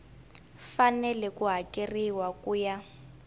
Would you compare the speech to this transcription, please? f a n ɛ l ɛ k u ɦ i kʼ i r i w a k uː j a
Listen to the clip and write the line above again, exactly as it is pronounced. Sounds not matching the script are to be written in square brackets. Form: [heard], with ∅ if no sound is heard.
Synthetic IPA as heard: f a n ɛ l ɛ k u ɦ [a] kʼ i r i w a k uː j a